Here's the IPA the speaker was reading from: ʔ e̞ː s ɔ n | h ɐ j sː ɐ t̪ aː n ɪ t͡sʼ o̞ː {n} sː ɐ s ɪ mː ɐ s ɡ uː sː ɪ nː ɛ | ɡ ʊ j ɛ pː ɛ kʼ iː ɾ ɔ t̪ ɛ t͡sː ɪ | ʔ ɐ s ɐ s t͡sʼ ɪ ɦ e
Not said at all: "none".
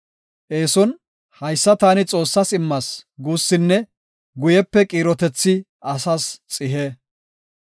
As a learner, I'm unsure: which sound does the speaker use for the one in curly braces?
none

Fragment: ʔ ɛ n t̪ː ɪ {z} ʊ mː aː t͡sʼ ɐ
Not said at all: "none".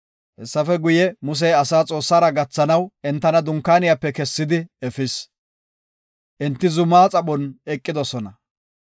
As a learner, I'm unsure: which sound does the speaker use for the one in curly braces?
z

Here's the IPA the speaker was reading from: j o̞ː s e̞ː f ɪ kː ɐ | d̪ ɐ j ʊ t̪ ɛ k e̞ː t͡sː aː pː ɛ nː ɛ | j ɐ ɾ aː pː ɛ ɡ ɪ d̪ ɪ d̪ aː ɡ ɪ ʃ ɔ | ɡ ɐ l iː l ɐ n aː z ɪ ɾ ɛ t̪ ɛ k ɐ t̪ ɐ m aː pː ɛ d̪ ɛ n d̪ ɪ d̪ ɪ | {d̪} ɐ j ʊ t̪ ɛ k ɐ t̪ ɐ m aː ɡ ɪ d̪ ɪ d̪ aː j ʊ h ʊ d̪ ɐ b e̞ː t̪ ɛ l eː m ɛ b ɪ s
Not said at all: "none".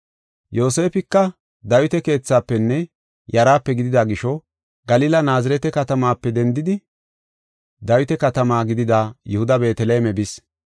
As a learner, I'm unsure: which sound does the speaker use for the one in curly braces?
d̪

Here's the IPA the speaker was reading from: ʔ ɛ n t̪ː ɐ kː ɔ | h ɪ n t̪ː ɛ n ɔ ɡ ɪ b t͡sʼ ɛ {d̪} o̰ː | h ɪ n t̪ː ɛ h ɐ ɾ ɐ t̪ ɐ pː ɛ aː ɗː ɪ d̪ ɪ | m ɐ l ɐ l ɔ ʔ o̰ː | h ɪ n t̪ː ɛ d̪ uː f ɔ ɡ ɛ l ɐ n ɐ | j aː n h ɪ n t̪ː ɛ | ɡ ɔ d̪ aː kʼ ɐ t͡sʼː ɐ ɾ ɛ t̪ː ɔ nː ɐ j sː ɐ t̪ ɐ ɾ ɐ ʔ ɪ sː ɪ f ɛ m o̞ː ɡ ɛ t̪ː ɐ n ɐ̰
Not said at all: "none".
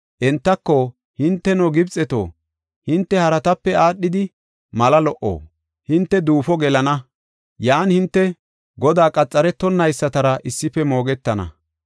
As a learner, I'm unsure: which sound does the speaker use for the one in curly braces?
t̪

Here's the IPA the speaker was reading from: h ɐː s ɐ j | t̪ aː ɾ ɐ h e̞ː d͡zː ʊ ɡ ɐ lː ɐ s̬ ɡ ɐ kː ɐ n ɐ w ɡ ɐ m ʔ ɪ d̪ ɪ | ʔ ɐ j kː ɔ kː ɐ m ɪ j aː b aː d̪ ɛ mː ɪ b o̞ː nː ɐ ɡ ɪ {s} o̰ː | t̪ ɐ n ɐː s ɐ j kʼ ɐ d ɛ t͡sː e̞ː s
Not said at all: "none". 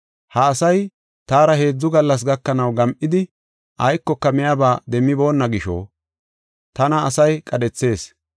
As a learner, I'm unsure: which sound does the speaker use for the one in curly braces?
ʃ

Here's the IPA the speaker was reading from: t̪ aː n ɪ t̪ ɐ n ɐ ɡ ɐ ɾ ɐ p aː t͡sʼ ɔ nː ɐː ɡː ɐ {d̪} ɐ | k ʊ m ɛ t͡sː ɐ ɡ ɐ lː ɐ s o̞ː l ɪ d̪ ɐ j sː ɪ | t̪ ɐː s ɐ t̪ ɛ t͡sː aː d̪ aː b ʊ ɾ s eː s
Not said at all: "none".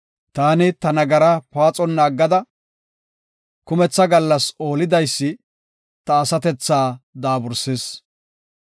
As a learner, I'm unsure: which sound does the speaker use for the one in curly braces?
d̪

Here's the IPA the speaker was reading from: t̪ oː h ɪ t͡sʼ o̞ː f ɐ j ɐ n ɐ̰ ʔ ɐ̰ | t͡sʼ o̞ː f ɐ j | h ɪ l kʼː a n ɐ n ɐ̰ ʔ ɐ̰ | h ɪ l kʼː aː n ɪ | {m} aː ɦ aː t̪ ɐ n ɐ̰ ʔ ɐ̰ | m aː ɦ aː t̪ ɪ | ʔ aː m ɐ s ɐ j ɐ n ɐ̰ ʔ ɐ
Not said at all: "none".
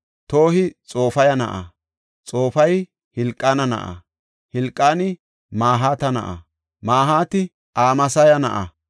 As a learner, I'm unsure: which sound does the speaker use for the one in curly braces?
m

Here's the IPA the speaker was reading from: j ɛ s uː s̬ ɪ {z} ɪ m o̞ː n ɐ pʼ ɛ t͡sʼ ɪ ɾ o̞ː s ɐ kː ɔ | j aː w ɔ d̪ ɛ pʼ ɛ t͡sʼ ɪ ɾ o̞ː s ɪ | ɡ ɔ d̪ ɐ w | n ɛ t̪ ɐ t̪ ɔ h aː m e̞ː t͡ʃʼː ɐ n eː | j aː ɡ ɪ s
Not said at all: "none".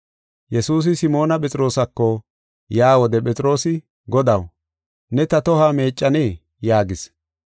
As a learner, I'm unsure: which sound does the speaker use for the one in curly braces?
s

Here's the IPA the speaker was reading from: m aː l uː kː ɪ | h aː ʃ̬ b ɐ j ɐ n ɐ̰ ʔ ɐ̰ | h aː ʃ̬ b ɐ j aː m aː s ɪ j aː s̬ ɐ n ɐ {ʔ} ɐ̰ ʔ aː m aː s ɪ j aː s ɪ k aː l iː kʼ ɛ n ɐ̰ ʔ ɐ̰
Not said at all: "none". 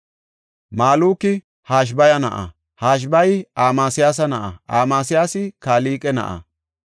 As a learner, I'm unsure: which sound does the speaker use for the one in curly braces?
ʔ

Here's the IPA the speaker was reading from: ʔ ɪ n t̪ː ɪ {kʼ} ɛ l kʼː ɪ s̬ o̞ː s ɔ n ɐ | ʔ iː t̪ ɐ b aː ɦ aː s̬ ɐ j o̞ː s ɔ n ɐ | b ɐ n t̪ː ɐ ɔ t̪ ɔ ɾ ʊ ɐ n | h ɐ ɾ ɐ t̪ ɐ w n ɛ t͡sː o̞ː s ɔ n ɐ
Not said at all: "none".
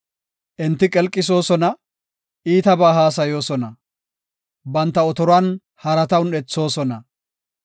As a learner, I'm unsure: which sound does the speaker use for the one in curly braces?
kʼ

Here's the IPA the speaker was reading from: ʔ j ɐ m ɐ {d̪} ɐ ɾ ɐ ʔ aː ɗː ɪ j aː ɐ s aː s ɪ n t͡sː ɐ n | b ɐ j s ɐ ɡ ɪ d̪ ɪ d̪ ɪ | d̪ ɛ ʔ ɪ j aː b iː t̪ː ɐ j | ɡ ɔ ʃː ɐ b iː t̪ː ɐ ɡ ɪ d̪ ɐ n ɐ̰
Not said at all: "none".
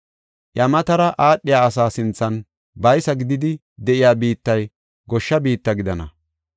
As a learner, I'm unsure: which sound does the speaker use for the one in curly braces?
t̪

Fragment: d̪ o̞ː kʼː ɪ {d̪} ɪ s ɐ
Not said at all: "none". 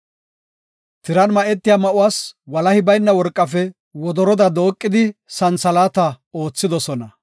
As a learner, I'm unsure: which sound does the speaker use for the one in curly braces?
d̪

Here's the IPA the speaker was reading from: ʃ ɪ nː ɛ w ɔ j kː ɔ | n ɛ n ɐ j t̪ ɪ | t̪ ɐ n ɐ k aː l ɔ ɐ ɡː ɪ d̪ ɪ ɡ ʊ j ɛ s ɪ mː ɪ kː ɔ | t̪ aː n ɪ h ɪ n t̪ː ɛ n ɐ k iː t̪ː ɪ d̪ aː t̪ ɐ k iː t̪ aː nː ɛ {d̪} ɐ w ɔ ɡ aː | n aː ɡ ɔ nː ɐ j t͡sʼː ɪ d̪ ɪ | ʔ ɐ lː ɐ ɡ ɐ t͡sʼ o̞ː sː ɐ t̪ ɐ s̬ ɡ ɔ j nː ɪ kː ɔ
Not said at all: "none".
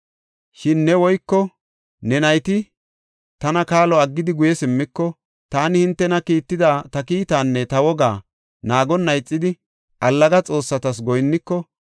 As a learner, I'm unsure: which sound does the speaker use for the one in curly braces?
t̪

